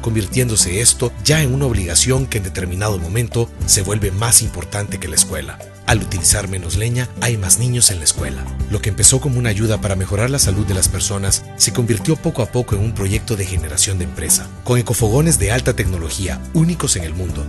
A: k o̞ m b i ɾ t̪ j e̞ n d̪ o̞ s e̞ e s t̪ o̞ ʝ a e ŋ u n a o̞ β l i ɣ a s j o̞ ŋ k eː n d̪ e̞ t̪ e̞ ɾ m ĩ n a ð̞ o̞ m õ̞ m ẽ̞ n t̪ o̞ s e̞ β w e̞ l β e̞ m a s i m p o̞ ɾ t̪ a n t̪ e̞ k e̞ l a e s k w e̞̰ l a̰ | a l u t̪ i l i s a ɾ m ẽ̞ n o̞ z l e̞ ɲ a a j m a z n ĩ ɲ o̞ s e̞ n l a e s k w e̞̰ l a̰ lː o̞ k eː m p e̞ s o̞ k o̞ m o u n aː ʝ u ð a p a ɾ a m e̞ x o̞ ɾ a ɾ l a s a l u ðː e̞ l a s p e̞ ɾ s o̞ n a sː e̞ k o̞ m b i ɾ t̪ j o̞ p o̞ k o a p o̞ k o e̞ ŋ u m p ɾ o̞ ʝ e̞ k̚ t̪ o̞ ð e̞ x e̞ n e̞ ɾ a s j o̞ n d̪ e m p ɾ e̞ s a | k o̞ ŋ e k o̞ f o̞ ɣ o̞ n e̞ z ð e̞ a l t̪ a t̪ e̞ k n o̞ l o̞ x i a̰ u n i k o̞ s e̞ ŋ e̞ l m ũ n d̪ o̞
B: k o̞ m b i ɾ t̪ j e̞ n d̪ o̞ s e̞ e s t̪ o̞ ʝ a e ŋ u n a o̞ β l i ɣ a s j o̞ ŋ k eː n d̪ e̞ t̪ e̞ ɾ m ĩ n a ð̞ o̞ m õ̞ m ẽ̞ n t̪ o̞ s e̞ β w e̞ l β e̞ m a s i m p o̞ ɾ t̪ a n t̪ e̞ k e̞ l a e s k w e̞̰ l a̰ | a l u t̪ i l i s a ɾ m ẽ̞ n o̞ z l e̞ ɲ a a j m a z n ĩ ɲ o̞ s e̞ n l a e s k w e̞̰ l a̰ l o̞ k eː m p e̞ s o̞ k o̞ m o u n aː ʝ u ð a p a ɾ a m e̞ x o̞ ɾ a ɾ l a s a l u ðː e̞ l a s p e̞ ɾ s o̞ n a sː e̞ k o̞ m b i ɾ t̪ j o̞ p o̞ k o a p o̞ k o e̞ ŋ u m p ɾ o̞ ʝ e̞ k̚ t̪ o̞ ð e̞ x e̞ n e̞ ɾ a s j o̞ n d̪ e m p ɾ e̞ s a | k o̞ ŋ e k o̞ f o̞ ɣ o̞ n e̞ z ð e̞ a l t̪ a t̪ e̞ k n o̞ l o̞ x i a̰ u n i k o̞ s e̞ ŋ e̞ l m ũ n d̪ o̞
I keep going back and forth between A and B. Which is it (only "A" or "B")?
B